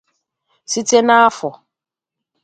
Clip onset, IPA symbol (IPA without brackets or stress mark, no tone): s